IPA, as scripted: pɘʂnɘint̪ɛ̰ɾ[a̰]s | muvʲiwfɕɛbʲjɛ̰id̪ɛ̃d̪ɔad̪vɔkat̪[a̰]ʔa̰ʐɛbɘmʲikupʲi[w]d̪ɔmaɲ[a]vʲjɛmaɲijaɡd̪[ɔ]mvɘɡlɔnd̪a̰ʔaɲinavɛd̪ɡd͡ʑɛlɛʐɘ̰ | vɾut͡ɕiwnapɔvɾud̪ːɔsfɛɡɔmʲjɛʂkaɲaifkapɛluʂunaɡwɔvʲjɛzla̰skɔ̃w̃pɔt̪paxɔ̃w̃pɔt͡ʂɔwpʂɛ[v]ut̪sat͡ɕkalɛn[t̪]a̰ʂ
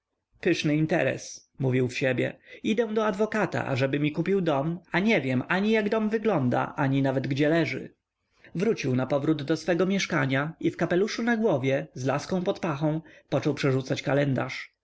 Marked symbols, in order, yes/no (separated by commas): no, yes, yes, no, yes, no, no